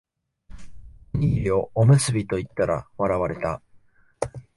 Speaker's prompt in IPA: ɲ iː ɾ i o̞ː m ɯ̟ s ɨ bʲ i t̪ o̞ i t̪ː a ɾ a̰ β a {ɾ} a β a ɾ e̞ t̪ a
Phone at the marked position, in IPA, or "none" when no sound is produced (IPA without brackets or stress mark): ɾ